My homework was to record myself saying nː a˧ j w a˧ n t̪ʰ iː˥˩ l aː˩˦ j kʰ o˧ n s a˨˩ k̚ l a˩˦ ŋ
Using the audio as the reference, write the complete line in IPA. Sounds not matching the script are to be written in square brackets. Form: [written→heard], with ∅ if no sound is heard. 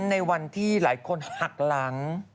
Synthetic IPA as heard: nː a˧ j w a˧ n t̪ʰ iː˥˩ l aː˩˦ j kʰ o˧ n [s→h] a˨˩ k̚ l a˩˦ ŋ